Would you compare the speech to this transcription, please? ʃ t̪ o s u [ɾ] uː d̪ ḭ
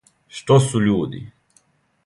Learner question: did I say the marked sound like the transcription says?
no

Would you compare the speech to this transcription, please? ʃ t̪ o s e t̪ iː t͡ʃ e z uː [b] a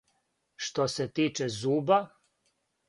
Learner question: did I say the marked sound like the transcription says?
yes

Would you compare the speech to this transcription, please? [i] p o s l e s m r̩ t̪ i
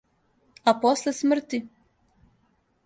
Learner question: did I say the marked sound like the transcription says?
no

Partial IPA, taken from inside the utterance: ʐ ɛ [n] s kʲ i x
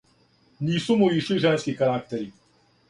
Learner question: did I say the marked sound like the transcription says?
yes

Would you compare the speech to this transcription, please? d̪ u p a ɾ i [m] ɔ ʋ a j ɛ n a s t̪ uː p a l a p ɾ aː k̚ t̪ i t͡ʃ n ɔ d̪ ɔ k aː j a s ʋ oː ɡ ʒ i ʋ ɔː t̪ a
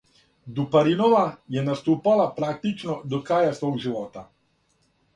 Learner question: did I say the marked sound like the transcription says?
no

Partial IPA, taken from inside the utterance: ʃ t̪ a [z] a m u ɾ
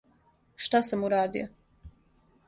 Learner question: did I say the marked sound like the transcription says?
no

